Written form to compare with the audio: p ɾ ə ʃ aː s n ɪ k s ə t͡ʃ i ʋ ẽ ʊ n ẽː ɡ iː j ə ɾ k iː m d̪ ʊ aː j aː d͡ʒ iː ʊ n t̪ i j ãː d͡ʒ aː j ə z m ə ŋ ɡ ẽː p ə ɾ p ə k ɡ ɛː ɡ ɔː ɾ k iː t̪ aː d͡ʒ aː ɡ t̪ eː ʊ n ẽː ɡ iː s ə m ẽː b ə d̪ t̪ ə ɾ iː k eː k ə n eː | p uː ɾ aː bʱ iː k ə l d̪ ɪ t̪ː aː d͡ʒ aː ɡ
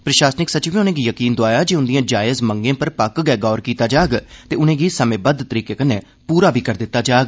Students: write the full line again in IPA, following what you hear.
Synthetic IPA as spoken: p ɾ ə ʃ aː s n ɪ k s ə t͡ʃ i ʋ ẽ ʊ n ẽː ɡ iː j ə k iː n d̪ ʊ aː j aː d͡ʒ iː ʊ n d̪ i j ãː d͡ʒ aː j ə z m ə ŋ ɡ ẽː p ə ɾ p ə k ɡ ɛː ɡ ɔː ɾ k iː t̪ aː d͡ʒ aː ɡ t̪ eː ʊ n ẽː ɡ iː s ə m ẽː b ə d̪ t̪ ə ɾ iː k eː k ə n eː | p uː ɾ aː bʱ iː k ə ɾ d̪ ɪ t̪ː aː d͡ʒ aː ɡ